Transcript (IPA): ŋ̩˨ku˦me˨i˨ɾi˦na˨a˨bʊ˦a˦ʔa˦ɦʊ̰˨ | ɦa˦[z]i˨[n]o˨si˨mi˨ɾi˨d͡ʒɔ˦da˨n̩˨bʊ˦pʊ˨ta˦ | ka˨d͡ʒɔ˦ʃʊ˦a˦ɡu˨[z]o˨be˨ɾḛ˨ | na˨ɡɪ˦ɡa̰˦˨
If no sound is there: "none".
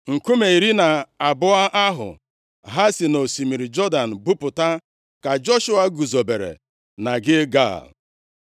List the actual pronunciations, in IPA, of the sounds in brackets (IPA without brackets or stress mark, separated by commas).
s, n, z